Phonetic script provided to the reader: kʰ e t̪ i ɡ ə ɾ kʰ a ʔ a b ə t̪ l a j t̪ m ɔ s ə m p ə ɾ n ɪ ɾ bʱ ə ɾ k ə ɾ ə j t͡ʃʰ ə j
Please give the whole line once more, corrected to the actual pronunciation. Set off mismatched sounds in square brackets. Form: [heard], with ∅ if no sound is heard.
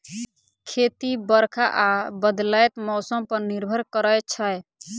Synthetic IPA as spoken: kʰ e t̪ i [b] ə ɾ kʰ a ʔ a b ə [d̪] l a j t̪ m ɔ s ə m p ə ɾ n [i] ɾ bʱ ə ɾ k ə ɾ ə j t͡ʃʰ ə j